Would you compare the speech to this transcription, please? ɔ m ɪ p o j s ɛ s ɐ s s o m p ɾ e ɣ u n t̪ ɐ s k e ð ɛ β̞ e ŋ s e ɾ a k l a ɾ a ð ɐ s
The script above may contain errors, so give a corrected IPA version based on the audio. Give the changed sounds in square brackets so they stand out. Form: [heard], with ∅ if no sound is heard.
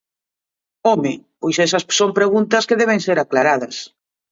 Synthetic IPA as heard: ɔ m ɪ p o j s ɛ s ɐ s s o m p ɾ e ɣ u n t̪ ɐ s k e ð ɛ β̞ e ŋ s e ɾ a k l a ɾ a ð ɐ s